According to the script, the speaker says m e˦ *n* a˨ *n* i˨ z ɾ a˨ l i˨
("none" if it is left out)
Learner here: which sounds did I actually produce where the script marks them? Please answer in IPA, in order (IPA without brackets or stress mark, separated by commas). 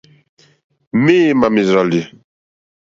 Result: m, m